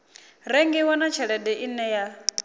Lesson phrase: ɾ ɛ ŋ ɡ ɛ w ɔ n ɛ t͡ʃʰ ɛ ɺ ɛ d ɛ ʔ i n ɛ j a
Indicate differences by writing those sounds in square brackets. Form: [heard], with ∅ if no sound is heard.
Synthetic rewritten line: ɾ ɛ ŋ ɡ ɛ w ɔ n [a] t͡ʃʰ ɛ ɺ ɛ d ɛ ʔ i n ɛ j a